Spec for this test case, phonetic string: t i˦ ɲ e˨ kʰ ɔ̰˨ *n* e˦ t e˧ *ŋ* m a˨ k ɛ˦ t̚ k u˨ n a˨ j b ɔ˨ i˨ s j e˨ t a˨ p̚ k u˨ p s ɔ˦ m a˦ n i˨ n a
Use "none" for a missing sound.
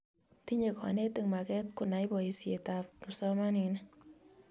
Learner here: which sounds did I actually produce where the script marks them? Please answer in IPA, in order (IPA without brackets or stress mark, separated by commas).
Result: n, ŋ